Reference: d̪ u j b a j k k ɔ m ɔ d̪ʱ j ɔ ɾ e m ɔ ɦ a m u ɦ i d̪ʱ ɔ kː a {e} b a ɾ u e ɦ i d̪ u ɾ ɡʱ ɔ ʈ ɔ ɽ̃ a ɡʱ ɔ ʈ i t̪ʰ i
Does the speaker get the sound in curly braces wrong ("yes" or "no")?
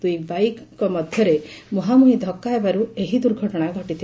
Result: no